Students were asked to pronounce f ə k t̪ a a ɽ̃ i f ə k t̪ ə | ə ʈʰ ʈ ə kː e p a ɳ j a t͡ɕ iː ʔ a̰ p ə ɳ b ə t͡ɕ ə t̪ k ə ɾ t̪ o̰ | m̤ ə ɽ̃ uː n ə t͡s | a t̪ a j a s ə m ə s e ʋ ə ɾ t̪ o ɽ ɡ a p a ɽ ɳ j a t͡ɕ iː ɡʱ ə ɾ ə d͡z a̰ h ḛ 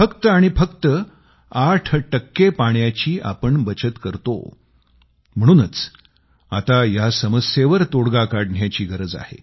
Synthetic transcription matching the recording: f ə k t̪ ə a ɽ̃ i f ə k t̪ ə | a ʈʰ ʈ ə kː e p a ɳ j a t͡ɕ iː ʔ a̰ p ə ɳ b ə t͡ɕ ə t̪ k ə ɾ t̪ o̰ | m̤ ə ɽ̃ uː n ə t͡s | a t̪ a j a s ə m ə s e ʋ ə ɾ t̪ o ɽ ɡ a k a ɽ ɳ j a t͡ɕ iː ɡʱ ə ɾ ə d͡z a̰ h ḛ